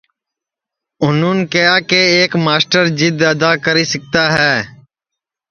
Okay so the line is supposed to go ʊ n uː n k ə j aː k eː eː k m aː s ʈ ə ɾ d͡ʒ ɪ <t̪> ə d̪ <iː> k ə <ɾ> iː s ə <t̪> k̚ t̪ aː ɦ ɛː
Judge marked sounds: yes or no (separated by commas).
no, no, yes, no